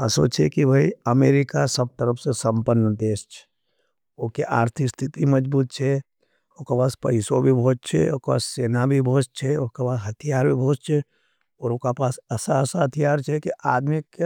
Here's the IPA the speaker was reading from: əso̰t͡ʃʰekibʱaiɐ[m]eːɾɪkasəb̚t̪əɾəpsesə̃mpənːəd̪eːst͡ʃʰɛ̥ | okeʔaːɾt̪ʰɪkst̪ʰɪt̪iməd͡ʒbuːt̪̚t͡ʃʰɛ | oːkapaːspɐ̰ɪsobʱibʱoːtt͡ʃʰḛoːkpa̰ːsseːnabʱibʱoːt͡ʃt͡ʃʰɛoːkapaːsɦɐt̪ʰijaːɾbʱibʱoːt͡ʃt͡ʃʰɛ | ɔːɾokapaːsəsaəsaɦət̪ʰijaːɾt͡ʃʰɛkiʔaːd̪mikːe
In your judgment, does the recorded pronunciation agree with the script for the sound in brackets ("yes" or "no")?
yes